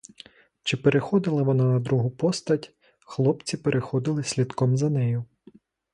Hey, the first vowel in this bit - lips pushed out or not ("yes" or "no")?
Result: no